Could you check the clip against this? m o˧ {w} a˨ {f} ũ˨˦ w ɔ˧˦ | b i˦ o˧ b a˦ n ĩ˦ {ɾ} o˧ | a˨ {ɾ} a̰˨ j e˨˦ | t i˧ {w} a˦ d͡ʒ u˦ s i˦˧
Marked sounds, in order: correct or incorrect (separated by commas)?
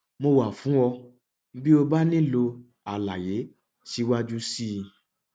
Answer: correct, correct, incorrect, incorrect, correct